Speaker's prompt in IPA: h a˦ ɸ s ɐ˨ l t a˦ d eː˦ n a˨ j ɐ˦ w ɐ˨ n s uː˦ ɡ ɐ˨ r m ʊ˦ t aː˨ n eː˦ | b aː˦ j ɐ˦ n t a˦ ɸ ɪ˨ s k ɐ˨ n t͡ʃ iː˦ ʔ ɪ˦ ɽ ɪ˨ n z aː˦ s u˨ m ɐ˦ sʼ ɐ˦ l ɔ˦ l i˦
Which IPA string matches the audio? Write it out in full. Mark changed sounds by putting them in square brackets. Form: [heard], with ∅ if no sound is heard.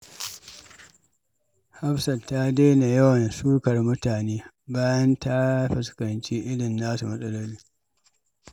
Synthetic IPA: h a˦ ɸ s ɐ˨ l t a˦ d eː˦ n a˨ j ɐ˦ w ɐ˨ n s uː˦ [k] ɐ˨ r m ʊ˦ t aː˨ n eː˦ | b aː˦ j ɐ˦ n t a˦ ɸ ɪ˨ s k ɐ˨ n t͡ʃ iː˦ ʔ ɪ˦ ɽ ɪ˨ n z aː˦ s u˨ m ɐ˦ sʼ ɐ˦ l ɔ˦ l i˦